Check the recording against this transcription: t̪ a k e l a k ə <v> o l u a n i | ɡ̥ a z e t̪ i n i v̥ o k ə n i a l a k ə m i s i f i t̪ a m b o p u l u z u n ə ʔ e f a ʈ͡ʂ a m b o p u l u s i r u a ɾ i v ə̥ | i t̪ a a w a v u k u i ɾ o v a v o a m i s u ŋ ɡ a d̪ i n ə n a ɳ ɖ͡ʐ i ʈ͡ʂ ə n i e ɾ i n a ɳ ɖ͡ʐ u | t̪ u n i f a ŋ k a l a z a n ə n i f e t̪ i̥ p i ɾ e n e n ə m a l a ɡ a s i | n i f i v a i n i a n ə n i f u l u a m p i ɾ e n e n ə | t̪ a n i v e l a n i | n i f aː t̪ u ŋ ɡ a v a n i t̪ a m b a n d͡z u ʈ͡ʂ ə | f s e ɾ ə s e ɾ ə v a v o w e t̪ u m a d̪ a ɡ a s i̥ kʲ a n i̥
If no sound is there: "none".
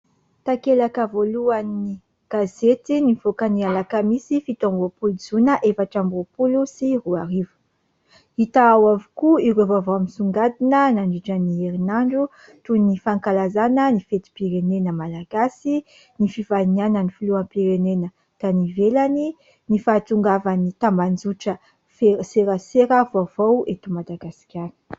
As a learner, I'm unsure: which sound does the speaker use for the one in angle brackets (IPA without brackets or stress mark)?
v